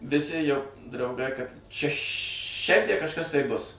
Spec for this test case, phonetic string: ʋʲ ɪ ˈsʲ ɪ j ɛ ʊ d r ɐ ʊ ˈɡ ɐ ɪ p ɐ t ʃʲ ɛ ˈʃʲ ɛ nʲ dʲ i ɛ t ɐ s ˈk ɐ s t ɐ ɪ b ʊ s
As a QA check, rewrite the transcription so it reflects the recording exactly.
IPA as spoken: ʋʲ ɪ ˈsʲ ɪ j ɛ ʊ d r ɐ ʊ ˈɡ ɐ ɪ k ɐ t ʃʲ ɛ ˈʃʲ ɛ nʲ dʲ i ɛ k ɐ ʃ ˈk ɐ s t ɐ ɪ b ʊ s